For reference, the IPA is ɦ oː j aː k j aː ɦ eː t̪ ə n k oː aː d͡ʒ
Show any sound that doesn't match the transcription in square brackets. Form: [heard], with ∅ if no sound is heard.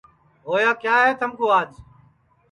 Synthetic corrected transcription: ɦ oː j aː k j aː ɦ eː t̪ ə [m] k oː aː d͡ʒ